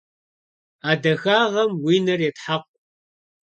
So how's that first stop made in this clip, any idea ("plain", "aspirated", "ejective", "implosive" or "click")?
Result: plain